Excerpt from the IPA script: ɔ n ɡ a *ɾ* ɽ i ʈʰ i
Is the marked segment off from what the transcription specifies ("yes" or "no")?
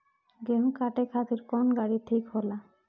yes